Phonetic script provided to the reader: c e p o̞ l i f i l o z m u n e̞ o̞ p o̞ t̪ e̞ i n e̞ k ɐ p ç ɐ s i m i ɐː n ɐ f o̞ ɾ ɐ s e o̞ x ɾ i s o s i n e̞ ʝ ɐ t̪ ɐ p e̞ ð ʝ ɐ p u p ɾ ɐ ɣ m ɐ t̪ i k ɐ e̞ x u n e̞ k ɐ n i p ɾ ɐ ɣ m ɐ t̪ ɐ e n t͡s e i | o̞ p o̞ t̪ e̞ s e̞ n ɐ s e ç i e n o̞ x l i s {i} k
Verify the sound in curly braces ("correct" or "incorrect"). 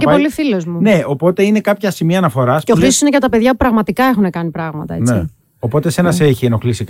correct